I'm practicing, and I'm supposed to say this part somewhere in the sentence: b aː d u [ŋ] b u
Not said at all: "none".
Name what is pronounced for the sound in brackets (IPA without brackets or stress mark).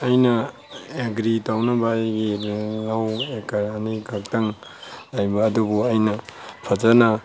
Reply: none